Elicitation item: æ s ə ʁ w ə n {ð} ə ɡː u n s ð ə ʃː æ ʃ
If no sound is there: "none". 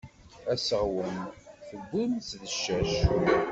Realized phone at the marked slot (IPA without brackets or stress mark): θ